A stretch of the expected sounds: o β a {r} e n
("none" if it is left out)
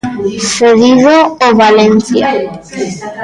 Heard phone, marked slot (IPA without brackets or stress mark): l